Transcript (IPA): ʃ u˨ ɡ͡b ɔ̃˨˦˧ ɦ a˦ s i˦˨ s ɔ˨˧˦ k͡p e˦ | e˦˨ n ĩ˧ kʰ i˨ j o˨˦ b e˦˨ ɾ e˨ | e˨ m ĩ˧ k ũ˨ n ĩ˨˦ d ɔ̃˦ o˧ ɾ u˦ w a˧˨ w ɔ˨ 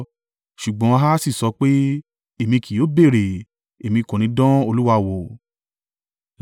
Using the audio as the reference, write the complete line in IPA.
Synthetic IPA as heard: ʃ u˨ ɡ͡b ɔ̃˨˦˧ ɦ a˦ s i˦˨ s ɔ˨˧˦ k͡p e˦ | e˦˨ m ĩ˧ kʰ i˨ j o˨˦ b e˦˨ ɾ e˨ | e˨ m ĩ˧ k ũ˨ n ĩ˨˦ d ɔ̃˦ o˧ l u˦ w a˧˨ w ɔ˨